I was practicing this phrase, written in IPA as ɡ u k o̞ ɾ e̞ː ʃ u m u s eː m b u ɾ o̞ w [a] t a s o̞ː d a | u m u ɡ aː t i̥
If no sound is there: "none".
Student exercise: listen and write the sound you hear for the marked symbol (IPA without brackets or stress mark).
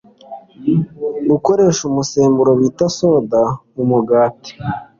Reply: i